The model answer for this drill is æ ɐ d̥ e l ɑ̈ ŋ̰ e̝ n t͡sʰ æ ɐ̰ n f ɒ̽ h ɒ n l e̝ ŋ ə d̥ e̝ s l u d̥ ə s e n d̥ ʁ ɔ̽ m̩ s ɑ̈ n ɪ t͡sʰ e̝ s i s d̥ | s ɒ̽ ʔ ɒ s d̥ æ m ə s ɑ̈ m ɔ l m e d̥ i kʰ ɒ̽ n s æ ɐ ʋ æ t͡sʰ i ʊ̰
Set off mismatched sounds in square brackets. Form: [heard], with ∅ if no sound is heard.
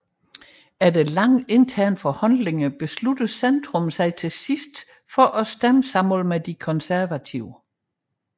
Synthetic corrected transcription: æ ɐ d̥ e l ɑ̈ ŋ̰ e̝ n t͡sʰ æ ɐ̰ n f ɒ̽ h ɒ n l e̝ ŋ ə [b̥] e̝ s l u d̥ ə s e n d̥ ʁ ɔ̽ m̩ s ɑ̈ [∅] ɪ t͡sʰ e̝ s i s d̥ | [f] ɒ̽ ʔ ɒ s d̥ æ m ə s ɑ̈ m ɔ l m e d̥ i kʰ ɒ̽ n s æ ɐ ʋ æ t͡sʰ i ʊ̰